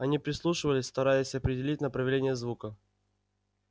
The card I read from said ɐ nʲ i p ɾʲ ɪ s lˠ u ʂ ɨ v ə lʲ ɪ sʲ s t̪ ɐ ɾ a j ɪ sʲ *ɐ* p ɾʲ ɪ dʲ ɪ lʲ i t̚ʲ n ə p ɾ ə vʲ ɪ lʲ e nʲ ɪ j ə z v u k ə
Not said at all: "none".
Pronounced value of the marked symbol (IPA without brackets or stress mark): ɐ